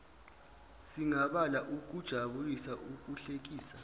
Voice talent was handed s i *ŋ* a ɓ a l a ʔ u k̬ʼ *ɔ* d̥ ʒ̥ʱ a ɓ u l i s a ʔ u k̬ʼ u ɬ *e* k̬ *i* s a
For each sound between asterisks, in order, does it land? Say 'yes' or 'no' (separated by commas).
yes, no, yes, no